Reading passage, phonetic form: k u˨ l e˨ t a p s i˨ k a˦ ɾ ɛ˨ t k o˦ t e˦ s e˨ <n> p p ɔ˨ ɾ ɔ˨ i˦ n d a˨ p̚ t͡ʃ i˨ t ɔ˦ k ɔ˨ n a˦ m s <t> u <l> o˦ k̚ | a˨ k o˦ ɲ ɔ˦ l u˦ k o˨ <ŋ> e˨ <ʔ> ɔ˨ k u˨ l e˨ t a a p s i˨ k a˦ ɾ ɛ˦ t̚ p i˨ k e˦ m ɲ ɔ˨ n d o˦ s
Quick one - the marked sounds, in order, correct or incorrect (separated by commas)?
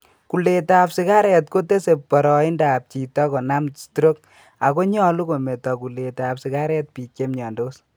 incorrect, correct, incorrect, incorrect, incorrect